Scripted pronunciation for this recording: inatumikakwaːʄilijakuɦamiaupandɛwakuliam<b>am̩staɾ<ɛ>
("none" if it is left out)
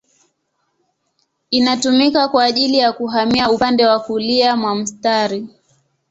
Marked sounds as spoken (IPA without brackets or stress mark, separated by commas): w, i